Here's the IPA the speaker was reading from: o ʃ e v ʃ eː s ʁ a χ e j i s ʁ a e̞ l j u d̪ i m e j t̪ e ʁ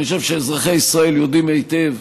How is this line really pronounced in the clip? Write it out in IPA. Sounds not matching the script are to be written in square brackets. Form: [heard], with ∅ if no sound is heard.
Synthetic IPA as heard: o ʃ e v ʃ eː [z] ʁ a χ e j i s ʁ a e̞ l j [o] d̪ i m e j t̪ e [v]